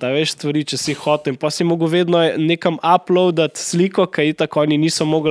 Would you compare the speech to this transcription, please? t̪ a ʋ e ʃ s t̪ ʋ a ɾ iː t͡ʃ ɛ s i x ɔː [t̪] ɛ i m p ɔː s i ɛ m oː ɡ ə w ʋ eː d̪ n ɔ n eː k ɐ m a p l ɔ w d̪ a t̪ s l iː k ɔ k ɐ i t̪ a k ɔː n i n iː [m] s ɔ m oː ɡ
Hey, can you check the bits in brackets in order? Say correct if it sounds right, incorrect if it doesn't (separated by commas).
correct, incorrect